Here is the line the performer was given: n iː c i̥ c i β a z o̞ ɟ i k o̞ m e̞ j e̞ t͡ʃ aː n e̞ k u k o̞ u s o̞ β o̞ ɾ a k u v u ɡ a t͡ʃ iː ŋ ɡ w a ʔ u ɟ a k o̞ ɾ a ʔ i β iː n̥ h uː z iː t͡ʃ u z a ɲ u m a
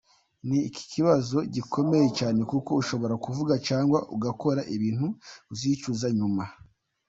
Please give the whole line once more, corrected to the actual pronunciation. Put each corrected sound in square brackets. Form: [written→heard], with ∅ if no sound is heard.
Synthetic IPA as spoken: n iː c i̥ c i β a z o̞ ɟ i k o̞ m e̞ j e̞ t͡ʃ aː n e̞ k u k o̞ u [s→ʃ] o̞ β o̞ ɾ a k u v u ɡ a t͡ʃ [iː→aː] ŋ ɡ w a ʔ u [ɟ→ɡ] a k o̞ ɾ a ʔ i β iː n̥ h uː z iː t͡ʃ u z a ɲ u m a